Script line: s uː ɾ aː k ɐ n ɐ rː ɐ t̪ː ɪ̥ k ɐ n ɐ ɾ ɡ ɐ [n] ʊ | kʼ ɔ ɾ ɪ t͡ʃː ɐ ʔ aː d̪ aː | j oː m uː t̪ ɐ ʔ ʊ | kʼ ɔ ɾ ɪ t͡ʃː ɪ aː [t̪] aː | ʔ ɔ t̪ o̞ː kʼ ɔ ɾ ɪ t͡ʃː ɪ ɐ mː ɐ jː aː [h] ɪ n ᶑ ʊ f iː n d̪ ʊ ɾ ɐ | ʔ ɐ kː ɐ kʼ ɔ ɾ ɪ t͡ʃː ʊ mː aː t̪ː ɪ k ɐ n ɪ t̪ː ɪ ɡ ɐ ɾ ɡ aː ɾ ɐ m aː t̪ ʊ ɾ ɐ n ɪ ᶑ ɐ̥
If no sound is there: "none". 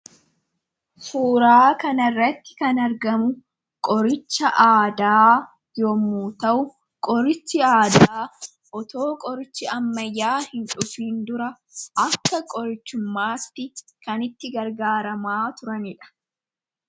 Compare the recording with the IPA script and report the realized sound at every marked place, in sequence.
m, d̪, h

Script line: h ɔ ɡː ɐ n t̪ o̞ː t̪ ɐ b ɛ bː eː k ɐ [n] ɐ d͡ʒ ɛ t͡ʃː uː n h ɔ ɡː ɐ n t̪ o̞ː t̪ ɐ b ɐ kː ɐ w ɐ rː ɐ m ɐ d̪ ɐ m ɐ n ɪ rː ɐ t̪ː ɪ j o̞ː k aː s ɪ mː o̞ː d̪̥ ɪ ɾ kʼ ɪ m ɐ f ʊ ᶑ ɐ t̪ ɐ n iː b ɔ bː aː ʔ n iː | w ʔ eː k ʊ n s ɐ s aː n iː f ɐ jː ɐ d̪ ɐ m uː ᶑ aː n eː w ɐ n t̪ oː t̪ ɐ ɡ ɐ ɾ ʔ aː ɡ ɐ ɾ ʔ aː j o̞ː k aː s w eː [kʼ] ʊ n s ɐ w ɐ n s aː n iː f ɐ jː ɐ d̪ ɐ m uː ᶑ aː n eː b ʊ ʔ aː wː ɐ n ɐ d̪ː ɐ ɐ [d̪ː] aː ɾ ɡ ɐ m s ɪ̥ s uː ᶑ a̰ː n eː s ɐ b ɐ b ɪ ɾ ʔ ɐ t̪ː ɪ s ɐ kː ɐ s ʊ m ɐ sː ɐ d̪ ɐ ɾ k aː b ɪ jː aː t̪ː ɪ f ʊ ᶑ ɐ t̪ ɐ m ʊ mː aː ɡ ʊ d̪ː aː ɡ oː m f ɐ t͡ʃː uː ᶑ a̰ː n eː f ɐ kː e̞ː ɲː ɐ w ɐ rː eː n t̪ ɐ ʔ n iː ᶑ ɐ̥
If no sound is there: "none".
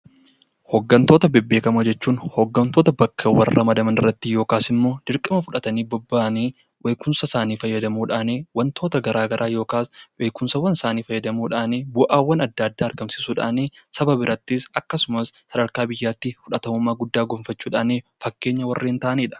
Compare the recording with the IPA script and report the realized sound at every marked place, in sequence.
m, k, d̪ː

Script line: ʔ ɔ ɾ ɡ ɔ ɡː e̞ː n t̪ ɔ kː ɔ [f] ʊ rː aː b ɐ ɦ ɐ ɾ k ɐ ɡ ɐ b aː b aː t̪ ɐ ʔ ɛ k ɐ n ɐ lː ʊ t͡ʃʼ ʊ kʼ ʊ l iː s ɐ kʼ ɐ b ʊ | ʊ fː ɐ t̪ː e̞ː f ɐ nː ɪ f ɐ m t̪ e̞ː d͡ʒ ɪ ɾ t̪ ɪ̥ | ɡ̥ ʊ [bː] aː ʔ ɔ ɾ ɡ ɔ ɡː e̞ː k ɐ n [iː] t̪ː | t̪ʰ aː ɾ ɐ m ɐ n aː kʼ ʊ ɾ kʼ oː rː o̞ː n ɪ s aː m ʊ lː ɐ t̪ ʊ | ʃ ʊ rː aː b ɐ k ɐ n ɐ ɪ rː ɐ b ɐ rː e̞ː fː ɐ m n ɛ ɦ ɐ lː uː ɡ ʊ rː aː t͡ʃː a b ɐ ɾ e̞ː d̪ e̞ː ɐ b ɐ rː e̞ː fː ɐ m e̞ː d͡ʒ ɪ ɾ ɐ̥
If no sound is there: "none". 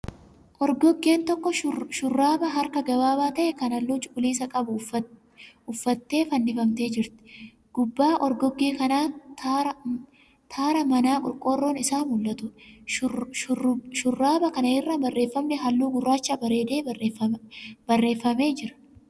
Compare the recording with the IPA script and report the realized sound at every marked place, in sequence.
ʃ, bː, aː

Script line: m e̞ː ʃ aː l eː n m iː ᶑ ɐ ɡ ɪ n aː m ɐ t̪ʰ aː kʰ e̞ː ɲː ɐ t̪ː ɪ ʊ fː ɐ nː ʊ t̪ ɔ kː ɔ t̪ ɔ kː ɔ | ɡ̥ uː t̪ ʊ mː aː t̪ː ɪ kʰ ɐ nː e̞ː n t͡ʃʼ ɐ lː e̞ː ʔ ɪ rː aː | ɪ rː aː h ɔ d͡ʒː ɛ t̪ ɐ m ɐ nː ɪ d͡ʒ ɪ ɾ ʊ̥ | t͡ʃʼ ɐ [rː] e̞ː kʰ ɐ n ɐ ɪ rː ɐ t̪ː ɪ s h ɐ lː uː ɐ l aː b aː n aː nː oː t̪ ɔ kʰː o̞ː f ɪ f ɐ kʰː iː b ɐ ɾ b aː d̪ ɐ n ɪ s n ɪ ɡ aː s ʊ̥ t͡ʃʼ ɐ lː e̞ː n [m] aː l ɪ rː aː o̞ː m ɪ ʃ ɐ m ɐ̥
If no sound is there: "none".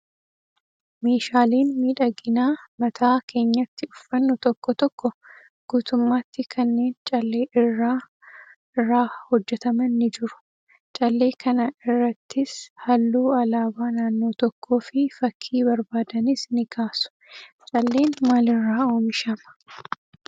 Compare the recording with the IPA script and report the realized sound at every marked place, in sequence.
lː, m

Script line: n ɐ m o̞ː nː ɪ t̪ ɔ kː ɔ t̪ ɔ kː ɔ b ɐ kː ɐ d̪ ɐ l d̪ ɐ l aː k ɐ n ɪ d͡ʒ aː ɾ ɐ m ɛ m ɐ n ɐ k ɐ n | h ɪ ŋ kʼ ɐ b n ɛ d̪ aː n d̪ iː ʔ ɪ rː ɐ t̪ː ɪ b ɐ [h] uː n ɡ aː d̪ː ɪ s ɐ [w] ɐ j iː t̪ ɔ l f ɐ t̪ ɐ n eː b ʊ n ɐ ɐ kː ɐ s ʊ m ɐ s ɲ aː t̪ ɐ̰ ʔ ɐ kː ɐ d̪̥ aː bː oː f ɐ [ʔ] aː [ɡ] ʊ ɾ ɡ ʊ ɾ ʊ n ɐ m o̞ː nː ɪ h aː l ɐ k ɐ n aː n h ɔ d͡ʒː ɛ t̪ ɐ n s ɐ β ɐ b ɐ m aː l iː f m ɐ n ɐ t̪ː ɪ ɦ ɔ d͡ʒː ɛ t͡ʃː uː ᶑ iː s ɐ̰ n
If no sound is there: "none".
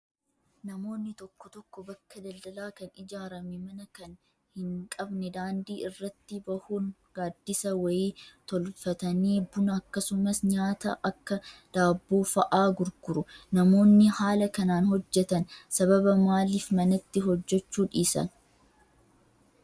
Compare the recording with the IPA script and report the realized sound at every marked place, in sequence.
h, w, ʔ, ɡ

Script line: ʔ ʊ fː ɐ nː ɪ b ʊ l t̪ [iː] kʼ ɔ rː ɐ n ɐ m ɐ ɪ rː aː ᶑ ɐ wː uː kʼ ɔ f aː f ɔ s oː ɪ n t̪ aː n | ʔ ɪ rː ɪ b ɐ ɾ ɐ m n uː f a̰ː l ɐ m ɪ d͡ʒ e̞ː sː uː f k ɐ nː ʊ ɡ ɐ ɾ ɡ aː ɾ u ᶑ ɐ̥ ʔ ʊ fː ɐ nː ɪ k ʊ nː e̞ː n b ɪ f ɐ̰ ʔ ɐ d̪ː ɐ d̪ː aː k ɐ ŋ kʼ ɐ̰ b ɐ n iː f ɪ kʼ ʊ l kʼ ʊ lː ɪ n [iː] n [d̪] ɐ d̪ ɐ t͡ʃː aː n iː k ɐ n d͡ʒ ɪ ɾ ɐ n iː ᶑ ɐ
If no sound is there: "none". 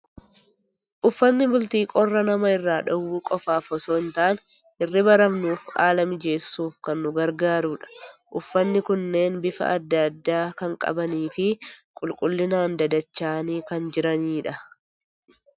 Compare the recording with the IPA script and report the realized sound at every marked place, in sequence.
iː, aː, d̪

